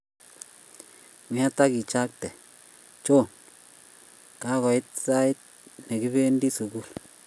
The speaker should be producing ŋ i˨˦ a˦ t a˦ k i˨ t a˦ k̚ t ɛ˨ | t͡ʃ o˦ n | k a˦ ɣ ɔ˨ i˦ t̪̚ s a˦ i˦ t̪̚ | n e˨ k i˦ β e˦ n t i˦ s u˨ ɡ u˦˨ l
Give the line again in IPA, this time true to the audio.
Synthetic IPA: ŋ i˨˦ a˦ t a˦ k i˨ t͡ʃ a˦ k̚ t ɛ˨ | t͡ʃ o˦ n | k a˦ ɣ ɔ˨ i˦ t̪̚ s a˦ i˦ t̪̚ | n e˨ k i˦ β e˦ n d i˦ s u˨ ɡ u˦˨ l